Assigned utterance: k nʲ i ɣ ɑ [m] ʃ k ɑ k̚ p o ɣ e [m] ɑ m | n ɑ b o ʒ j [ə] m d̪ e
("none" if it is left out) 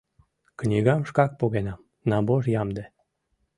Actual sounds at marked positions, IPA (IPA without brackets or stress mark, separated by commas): m, n, ɑ